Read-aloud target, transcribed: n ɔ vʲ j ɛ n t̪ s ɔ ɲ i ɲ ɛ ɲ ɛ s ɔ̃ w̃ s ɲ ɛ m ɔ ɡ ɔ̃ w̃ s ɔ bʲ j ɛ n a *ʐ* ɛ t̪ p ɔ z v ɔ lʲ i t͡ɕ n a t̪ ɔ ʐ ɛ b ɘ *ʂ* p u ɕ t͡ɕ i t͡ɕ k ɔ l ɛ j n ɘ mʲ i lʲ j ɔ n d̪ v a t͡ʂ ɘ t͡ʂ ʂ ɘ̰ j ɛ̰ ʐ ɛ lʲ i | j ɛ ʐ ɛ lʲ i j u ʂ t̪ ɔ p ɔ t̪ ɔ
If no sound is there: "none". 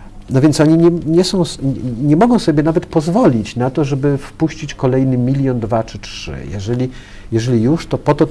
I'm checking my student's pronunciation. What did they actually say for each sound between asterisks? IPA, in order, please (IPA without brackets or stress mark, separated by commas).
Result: v, f